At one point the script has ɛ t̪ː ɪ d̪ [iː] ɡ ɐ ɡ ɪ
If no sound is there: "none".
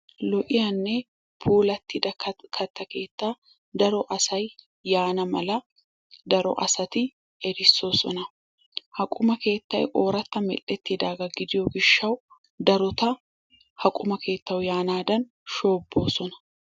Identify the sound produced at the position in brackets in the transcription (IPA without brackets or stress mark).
aː